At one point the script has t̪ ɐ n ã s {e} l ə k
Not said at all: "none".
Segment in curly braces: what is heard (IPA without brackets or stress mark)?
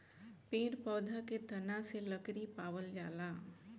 e